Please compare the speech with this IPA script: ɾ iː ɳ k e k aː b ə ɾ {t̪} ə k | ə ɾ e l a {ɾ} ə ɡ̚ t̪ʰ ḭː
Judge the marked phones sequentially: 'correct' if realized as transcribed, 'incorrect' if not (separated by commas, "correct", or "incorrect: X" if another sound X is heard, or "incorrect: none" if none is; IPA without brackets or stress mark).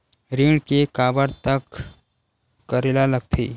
correct, incorrect: l